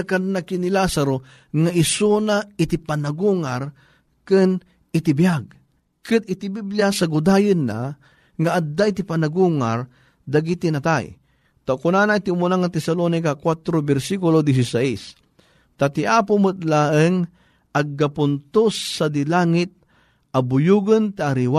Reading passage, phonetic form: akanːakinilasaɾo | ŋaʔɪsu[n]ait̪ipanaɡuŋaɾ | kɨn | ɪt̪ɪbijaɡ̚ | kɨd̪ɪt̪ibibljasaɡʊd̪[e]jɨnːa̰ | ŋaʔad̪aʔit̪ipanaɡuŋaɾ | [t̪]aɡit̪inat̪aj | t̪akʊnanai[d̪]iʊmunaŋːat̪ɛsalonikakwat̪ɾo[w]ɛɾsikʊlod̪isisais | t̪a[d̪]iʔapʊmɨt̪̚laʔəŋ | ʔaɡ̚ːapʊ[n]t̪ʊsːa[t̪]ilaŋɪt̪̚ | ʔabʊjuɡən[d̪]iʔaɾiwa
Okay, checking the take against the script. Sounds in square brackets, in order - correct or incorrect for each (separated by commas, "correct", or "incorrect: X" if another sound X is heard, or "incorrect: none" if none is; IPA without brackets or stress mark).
correct, incorrect: a, incorrect: d̪, incorrect: t̪, incorrect: b, incorrect: t̪, correct, incorrect: d̪, incorrect: t̪